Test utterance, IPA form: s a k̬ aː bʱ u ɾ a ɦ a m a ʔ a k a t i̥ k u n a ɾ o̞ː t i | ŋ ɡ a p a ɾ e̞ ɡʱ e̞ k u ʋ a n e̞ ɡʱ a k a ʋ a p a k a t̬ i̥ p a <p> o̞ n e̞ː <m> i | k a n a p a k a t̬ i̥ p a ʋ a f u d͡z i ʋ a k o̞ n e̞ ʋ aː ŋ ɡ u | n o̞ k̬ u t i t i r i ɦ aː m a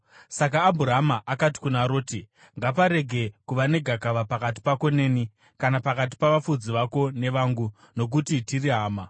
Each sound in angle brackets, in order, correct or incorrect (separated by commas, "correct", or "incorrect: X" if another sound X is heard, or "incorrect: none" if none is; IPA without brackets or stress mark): incorrect: k, incorrect: n